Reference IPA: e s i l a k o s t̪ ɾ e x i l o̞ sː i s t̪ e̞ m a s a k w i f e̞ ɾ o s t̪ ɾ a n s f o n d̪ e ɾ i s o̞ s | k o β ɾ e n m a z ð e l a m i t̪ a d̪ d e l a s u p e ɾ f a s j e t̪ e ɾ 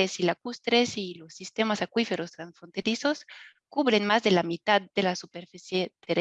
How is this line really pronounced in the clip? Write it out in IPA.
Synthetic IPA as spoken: e s i l a k u s t̪ ɾ e s i l o̞ sː i s t̪ e̞ m a s a k w i f e̞ ɾ o s t̪ ɾ a n s f o n t̪ e ɾ i s o̞ s | k u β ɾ e n m a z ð e l a m i t̪ a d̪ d e l a s u p e ɾ f i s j e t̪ e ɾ

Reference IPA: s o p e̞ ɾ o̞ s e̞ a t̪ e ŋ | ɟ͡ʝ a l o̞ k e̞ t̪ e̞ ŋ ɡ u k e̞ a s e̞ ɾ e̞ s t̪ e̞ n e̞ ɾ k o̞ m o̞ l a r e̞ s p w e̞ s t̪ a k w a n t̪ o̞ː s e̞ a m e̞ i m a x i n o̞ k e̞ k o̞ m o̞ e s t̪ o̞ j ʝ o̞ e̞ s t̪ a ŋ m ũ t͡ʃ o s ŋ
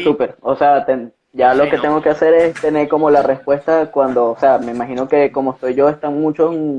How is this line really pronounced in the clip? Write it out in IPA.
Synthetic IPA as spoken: s u p e̞ ɾ o̞ s e̞ a t̪ e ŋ | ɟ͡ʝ a l o̞ k e̞ t̪ e̞ ŋ ɡ o k e̞ a s e̞ ɾ e̞ s t̪ e̞ n e̞ ɾ k o̞ m o̞ l a r e̞ s p w e̞ s t̪ a k w a n d̪ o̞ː s e̞ a m e̞ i m a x i n o̞ k e̞ k o̞ m o̞ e s t̪ o̞ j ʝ o̞ e̞ s t̪ a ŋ m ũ t͡ʃ o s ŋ

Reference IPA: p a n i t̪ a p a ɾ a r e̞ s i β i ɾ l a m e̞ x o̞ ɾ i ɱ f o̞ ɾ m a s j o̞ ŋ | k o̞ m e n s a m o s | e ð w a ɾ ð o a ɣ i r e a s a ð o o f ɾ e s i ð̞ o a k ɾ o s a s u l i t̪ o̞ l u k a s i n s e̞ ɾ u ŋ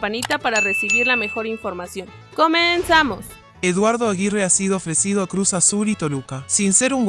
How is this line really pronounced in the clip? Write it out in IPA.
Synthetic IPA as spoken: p a n i t̪ a p a ɾ a r e̞ s i β i ɾ l a m e̞ x o̞ ɾ i ɱ f o̞ ɾ m a s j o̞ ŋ | k o̞ m e n s a m o s | e ð w a ɾ ð o a ɣ i r e a s i ð o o f ɾ e s i ð̞ o a k ɾ u s a s u l i t̪ o̞ l u k a s i n s e̞ ɾ u ŋ

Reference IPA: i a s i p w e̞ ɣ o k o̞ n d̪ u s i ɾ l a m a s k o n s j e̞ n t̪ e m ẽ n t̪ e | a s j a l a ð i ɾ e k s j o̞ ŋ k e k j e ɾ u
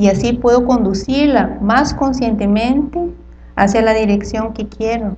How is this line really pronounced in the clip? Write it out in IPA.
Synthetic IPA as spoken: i a s i p w e̞ ð o k o̞ n d̪ u s i ɾ l a m a s k o n s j e̞ n t̪ e m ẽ n t̪ e | a s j a l a ð i ɾ e k s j o̞ ŋ k e k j e ɾ o

